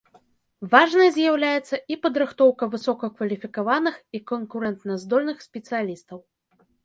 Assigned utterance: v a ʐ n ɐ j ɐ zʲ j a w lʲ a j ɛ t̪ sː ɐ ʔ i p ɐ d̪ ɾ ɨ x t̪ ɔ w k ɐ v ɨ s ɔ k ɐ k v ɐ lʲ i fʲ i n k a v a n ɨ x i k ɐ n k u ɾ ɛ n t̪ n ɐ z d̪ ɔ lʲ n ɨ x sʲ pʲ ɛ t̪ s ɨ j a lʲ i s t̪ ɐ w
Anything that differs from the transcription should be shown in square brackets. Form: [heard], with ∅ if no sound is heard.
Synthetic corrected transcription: v a ʐ n ɐ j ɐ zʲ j a w lʲ a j ɛ t̪ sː ɐ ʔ i p ɐ d̪ ɾ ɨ x t̪ ɔ w k ɐ v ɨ s ɔ k ɐ k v ɐ lʲ i fʲ i [∅] k a v a n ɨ x i k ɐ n k u ɾ ɛ n t̪ n ɐ z d̪ ɔ lʲ n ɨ x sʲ pʲ ɛ t̪ s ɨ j a lʲ i s t̪ ɐ w

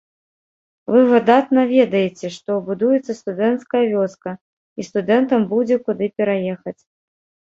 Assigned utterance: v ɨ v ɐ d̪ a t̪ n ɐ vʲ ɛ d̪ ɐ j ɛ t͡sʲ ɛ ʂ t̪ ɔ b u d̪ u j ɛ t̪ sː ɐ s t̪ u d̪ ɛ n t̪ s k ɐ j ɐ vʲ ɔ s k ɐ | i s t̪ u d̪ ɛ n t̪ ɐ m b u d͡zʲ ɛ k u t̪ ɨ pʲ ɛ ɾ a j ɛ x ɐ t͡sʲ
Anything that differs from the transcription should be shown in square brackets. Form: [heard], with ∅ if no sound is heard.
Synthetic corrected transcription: v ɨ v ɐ d̪ a t̪ n ɐ vʲ ɛ d̪ ɐ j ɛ t͡sʲ ɛ ʂ t̪ ɔ b u d̪ u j ɛ t̪ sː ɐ s t̪ u d̪ ɛ n t̪ s k ɐ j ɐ vʲ ɔ s k ɐ | i s t̪ u d̪ ɛ n t̪ ɐ m b u d͡zʲ ɛ k u [d̪] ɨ pʲ ɛ ɾ a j ɛ x ɐ t͡sʲ

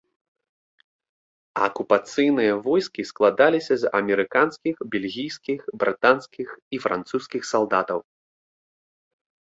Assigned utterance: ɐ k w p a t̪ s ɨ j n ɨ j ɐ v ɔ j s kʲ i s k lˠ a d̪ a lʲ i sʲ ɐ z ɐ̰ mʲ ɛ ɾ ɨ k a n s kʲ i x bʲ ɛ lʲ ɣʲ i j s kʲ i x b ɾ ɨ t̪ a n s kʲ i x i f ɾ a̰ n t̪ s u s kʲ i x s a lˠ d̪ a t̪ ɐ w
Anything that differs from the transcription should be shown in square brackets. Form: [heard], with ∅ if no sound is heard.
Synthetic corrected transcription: ɐ k [u] p a t̪ s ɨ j n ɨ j ɐ v ɔ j s kʲ i s k lˠ a d̪ a lʲ i sʲ ɐ z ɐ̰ mʲ ɛ ɾ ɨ k a n s kʲ i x bʲ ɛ lʲ ɣʲ i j s kʲ i x b ɾ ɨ t̪ a n s kʲ i x i f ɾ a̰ n t̪ s u s kʲ i x s a lˠ d̪ a t̪ ɐ w

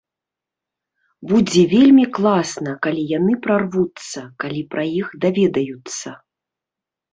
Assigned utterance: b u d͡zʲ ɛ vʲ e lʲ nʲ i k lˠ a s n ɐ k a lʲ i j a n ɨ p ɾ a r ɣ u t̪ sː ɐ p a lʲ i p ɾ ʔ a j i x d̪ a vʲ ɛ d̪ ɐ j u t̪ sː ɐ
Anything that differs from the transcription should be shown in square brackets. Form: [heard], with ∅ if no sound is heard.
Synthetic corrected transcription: b u d͡zʲ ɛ vʲ e lʲ [mʲ] i k lˠ a s n ɐ k a lʲ i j a n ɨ p ɾ a r [v] u t̪ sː ɐ [k] a lʲ i p ɾ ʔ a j i x d̪ a vʲ ɛ d̪ ɐ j u t̪ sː ɐ

